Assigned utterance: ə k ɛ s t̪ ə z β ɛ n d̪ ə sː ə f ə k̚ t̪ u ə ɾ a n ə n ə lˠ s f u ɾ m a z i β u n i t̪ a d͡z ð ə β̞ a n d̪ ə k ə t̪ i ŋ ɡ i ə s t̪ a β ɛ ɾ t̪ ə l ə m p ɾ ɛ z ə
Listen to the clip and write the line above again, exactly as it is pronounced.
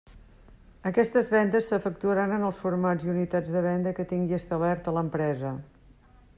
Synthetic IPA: ə k ɛ s t̪ ə z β ɛ n d̪ ə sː ə f ə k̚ t̪ u ə ɾ a n ə n ə lˠ s f u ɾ m a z i u n i t̪ a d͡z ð ə β̞ ɛ n d̪ ə k ə t̪ i ŋ ɡ i ə s t̪ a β ɛ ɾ t̪ ə l ə m p ɾ ɛ z ə